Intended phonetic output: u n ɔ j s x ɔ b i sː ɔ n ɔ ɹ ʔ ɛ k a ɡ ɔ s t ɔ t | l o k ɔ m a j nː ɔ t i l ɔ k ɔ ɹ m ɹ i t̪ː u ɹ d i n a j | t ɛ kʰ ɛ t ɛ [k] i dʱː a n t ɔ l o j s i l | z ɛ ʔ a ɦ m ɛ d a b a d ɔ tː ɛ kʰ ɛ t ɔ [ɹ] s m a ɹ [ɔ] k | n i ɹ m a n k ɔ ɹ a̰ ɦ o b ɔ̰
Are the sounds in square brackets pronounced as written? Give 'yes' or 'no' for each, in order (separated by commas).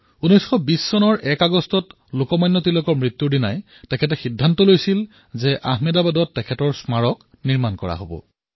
no, yes, yes